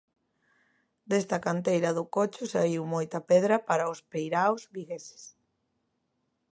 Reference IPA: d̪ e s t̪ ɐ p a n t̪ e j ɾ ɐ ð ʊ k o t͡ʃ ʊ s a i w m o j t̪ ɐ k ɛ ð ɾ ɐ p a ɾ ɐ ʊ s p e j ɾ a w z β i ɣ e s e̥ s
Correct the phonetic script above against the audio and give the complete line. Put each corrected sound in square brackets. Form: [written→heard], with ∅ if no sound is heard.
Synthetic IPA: d̪ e s t̪ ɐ [p→k] a n t̪ e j ɾ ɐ ð ʊ k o t͡ʃ ʊ s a i w m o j t̪ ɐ [k→p] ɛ ð ɾ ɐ p a ɾ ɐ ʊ s p e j ɾ a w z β i ɣ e s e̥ s